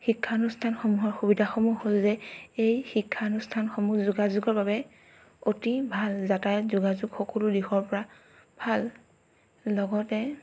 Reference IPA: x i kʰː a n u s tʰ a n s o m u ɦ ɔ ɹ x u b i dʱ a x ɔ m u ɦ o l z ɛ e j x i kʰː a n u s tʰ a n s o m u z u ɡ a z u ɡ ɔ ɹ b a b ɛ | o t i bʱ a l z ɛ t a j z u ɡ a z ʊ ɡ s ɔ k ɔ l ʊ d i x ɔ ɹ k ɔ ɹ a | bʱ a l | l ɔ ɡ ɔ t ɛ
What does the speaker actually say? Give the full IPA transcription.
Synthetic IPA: x i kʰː a n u s tʰ a n x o m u ɦ ɔ ɹ x u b i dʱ a x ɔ m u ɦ o l z ɛ e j x i kʰː a n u s tʰ a n x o m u z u ɡ a z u ɡ ɔ ɹ b a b ɛ | o t i bʱ a l z a t a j z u ɡ a z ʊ ɡ x ɔ k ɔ l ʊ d i x ɔ ɹ p ɔ ɹ a | bʱ a l | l ɔ ɡ ɔ t ɛ